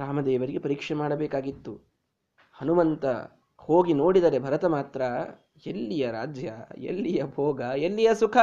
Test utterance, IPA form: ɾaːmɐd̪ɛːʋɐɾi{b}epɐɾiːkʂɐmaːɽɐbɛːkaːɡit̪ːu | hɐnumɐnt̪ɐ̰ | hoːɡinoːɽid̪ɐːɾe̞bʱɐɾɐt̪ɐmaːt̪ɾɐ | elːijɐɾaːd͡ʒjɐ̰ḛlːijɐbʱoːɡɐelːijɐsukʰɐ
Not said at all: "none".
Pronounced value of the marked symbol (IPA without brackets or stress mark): ɡ